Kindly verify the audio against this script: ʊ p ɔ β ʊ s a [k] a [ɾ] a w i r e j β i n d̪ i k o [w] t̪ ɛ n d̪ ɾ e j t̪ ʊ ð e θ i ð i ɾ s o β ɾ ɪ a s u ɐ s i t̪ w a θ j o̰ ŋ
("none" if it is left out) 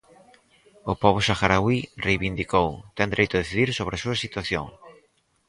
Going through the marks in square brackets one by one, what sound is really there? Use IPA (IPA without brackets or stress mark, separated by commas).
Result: x, ɾ, w